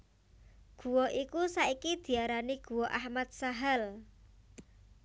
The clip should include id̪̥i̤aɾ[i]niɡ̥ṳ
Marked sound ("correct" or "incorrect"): incorrect